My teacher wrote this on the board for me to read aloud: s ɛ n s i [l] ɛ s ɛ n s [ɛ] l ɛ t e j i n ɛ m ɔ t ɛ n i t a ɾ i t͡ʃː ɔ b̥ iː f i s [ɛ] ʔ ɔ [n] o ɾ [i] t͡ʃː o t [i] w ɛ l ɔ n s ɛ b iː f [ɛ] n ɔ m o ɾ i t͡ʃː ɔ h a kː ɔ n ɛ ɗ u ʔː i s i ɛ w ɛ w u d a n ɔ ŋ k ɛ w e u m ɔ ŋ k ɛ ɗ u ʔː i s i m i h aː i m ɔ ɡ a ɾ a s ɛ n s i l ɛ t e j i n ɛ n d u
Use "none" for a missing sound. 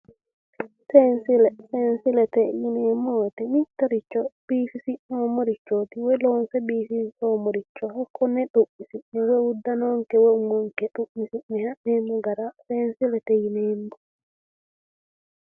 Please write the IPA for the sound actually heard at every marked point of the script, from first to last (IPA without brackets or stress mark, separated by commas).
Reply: l, i, i, m, i, i, i